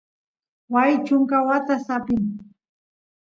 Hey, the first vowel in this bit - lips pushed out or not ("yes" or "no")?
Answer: no